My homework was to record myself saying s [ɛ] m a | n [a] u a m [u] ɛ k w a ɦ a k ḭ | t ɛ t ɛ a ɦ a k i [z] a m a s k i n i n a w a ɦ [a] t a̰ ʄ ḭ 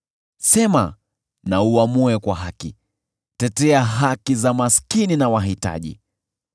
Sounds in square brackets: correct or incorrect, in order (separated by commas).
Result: correct, correct, correct, correct, incorrect